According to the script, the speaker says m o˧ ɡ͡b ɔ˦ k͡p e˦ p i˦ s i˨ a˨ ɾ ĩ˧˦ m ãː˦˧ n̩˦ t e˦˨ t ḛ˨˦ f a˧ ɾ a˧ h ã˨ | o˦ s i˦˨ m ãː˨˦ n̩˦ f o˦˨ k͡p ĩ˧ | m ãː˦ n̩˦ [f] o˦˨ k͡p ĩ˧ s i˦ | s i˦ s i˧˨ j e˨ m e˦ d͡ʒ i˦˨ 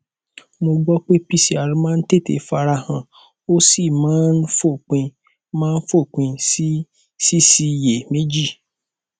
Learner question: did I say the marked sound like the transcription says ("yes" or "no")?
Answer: yes